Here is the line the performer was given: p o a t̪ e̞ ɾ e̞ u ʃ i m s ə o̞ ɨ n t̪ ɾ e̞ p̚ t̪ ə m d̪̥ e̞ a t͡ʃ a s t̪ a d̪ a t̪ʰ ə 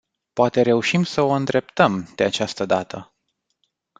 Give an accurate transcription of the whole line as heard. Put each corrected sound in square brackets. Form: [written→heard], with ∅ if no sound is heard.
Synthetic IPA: p o a t̪ e̞ ɾ e̞ u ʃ i m s ə o̞ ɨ n [t̪→d̪] ɾ e̞ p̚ t̪ ə m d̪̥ e̞ a t͡ʃ a s t̪ [a→ə] d̪ a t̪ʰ ə